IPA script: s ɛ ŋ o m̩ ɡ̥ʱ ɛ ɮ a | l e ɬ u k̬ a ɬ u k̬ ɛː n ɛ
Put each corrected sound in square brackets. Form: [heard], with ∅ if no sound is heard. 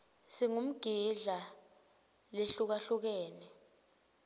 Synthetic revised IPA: s [i] ŋ [u] m̩ ɡ̥ʱ [i] ɮ a | l e ɬ u k̬ a ɬ u k̬ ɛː n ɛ